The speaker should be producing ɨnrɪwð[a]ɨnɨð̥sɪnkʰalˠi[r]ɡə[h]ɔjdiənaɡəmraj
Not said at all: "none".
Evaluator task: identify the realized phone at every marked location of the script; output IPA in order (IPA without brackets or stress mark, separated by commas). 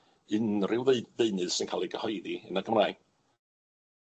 e, none, h